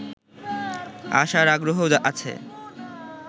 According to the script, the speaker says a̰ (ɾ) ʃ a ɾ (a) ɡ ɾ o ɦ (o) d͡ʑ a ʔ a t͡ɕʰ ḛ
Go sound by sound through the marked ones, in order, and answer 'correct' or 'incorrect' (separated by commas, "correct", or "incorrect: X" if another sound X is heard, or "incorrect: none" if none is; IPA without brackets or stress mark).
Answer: incorrect: none, correct, correct